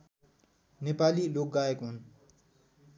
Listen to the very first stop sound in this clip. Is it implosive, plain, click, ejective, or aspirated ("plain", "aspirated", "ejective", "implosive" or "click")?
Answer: plain